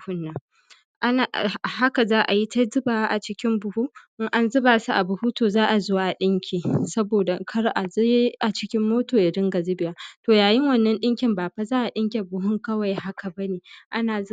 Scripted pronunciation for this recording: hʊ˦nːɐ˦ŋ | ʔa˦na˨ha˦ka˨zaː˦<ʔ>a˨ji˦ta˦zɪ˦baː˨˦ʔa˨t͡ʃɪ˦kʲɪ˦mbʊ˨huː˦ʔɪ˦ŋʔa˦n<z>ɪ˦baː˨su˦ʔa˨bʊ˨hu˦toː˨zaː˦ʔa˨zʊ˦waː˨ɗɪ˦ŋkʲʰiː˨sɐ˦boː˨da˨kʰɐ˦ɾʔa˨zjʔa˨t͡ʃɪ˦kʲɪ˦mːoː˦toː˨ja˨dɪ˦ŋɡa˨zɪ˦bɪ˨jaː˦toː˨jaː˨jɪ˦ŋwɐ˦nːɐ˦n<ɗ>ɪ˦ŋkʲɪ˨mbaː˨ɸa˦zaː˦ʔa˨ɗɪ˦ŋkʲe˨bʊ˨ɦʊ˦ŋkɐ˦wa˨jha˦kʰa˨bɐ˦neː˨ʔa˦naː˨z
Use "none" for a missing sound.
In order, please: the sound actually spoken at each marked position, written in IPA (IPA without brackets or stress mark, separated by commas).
ʔ, z, ɗ